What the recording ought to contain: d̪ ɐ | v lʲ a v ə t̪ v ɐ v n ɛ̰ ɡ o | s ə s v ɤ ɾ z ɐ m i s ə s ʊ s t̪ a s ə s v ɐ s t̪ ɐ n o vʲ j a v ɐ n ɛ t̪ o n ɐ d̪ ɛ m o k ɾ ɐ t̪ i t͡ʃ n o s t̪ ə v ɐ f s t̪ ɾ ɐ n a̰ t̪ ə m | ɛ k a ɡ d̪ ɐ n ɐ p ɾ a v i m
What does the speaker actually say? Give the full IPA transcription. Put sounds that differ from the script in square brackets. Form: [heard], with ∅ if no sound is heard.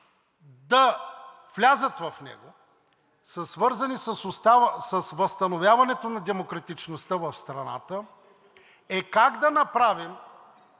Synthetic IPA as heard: d̪ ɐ | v lʲ a [z] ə t̪ v ɐ [f] n ɛ̰ ɡ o | s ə s v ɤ ɾ z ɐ [n] i s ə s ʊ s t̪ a s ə s v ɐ s t̪ ɐ n o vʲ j a v ɐ n ɛ t̪ o n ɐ d̪ ɛ m o k ɾ ɐ t̪ i t͡ʃ n o s t̪ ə v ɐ f s t̪ ɾ ɐ n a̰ t̪ ə [∅] | ɛ k a ɡ d̪ ɐ n ɐ p ɾ a v i m

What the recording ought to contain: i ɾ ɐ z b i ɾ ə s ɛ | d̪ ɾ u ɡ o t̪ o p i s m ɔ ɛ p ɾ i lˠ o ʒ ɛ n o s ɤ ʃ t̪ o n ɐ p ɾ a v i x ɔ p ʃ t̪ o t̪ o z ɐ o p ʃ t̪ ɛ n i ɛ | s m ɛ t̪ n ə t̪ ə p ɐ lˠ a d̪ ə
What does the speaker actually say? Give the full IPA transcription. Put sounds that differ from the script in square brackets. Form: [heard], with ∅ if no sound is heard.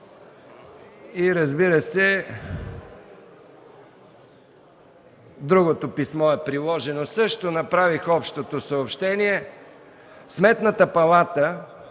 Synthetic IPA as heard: i ɾ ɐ z b i ɾ ə s ɛ | d̪ ɾ u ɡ o t̪ o p i s m ɔ ɛ p ɾ i lˠ [ɔ] ʒ ɛ n o s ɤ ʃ t̪ o n ɐ p ɾ a v i x ɔ p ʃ t̪ o t̪ o [s] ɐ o p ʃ t̪ ɛ n i ɛ | s m ɛ t̪ n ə t̪ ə p ɐ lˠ a [t̪] ə

